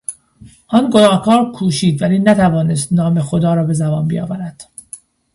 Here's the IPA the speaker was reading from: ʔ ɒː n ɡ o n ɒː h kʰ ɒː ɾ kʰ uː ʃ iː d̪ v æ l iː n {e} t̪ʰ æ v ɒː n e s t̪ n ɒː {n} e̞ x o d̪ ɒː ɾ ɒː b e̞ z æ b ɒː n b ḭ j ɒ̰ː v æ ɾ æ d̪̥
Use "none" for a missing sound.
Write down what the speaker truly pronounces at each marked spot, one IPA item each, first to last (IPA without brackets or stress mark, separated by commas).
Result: æ, m